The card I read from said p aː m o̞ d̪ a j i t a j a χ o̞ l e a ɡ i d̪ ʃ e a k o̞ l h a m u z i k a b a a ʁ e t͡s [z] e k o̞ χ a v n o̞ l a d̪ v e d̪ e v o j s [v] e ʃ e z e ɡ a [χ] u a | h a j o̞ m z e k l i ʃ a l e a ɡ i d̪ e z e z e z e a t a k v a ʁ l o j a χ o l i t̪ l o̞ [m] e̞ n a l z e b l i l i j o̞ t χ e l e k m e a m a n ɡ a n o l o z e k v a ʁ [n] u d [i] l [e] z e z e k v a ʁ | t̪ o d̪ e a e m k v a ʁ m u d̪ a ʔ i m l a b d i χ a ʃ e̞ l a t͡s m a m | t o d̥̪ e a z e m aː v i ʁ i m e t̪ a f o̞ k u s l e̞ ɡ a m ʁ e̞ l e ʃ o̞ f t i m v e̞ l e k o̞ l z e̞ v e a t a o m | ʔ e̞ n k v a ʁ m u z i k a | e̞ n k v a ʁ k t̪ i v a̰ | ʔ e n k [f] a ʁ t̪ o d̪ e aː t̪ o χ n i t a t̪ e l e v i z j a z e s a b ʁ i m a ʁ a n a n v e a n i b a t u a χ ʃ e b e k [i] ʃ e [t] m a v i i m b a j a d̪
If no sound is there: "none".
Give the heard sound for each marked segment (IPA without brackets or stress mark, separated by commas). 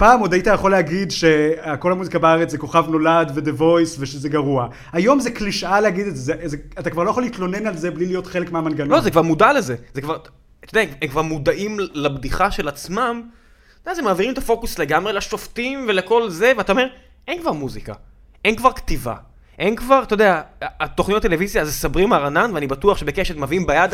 z, v, ʁ, n, m, a, e, v, e, t